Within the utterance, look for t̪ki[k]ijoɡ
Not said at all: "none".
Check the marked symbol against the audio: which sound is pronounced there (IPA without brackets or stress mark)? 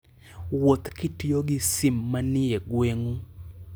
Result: t